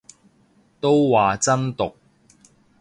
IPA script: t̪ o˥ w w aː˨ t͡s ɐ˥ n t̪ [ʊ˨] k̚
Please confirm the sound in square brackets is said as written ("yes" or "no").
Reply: yes